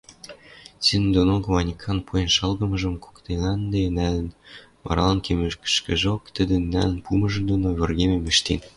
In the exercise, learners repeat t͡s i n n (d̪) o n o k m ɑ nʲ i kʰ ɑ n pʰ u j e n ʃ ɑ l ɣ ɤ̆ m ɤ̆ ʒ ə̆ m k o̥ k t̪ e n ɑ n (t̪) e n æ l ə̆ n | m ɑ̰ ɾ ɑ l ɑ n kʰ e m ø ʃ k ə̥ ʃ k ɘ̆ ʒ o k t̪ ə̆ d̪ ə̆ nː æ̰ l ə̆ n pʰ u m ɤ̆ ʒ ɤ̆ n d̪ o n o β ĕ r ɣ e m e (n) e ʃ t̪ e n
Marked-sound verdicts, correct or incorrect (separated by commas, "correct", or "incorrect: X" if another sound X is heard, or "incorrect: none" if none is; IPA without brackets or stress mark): correct, incorrect: d̪, incorrect: m